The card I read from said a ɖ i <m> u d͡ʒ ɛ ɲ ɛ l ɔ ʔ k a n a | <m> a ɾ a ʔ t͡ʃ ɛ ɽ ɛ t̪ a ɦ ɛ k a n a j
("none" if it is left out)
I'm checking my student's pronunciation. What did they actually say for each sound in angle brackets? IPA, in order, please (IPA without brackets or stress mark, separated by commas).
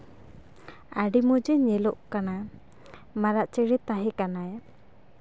m, m